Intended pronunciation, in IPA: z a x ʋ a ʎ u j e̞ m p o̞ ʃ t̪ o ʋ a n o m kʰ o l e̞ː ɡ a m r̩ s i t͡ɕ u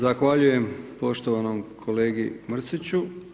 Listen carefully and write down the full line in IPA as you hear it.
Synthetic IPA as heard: z a x ʋ a ʎ u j e̞ m p o̞ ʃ t̪ o ʋ a n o m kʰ o l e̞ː ɡ i m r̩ s i t͡ɕ u

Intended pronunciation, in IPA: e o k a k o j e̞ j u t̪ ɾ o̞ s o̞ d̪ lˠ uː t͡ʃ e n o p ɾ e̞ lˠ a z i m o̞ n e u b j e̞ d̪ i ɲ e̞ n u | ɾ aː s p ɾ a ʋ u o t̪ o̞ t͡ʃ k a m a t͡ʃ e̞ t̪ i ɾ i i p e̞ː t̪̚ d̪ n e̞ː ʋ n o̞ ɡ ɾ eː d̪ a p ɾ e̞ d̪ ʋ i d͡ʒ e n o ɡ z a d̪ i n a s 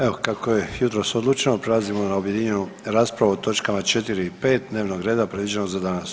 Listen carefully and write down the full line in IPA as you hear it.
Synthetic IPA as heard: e o k a k o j e̞ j u t̪ ɾ o̞ s o̞ d̪ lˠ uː t͡ʃ e n o p ɾ e̞ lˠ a z i m o̞ n a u b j e̞ d̪ i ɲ e̞ n u | ɾ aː s p ɾ a ʋ u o t̪ o̞ t͡ʃ k a m a t͡ʃ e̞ t̪ i ɾ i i p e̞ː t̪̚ d̪ n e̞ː ʋ n o̞ ɡ ɾ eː d̪ a p ɾ e̞ d̪ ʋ i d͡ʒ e n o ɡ z a d̪ a n a s

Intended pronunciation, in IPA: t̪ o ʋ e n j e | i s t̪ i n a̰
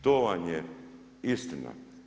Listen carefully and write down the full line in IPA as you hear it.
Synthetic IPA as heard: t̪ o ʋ a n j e | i s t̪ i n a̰

